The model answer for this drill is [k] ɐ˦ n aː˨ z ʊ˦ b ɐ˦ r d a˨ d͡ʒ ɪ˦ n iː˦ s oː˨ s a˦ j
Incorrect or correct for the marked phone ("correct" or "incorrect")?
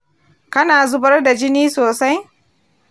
correct